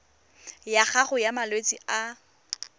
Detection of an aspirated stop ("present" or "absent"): absent